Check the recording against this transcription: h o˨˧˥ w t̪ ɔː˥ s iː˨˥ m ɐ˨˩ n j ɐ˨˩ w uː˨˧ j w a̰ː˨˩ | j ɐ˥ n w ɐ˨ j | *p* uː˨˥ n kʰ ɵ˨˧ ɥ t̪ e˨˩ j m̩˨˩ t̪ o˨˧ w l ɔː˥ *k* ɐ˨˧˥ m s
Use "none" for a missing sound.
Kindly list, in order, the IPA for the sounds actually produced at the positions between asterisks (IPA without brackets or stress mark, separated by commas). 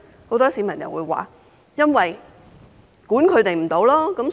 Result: k, k